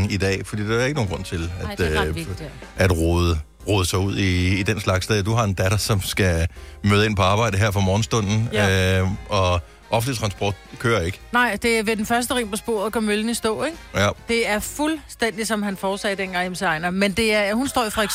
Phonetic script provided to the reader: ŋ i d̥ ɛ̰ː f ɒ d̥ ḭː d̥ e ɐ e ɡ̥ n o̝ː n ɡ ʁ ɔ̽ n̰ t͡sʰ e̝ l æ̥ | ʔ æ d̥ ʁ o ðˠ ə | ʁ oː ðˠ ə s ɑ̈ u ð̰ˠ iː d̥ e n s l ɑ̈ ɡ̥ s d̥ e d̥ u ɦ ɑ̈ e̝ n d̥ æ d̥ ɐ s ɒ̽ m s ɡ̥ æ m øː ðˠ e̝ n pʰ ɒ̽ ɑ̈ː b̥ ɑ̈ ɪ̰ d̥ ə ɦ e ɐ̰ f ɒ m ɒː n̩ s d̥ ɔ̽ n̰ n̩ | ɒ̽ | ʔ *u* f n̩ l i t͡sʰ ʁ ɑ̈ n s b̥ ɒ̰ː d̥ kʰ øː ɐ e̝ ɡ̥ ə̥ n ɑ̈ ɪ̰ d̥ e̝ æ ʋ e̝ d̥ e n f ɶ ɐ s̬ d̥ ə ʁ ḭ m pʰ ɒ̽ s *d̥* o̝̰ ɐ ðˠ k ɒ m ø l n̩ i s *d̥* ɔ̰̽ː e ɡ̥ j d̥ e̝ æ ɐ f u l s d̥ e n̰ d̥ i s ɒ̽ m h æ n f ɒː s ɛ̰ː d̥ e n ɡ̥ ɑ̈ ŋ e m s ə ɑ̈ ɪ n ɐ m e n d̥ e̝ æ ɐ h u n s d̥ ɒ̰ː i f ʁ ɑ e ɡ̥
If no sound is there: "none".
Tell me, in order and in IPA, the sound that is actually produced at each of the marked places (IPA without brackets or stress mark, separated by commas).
ɒ, b̥, d̥